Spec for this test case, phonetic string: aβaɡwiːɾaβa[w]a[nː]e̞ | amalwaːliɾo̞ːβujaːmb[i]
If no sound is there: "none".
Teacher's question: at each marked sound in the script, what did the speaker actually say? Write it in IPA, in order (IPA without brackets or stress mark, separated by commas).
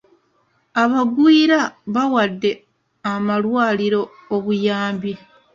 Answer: w, dː, i